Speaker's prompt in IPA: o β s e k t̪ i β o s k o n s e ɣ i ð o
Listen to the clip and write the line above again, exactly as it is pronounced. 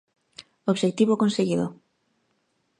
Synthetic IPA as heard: o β ʃ e k t̪ i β o k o n s e ɣ i ð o